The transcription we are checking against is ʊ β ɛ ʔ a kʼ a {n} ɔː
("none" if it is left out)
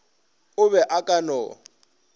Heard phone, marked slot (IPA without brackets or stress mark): n